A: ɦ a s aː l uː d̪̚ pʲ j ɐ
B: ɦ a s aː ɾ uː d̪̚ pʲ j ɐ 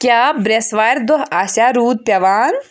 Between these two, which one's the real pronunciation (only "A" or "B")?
B